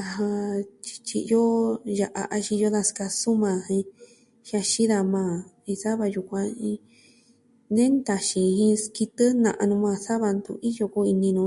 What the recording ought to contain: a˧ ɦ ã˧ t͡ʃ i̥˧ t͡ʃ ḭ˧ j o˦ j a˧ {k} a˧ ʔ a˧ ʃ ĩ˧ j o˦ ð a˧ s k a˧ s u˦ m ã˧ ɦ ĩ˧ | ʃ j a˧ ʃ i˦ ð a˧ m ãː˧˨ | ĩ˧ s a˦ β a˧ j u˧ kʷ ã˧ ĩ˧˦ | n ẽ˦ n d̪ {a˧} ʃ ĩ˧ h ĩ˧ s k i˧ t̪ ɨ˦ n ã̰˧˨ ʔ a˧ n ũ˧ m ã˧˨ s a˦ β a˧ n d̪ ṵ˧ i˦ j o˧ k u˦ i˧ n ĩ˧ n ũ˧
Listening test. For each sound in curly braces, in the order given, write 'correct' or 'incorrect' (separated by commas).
incorrect, correct